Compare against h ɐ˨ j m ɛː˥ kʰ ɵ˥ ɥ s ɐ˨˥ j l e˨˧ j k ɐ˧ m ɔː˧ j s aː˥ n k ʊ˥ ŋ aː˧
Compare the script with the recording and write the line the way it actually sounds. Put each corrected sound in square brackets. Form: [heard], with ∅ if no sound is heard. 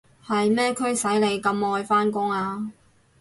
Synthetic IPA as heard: h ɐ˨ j m ɛː˥ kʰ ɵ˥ ɥ s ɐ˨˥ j l e˨˧ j k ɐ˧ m ɔː˧ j [f] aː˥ n k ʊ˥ ŋ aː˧